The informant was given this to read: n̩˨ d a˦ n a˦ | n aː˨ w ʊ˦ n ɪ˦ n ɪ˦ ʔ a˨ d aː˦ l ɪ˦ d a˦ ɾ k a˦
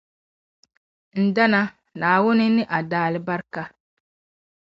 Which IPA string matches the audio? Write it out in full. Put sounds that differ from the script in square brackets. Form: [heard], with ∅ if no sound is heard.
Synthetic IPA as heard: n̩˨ d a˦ n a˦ | n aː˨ w ʊ˦ n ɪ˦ n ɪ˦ ʔ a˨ d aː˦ l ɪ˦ [b] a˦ ɾ k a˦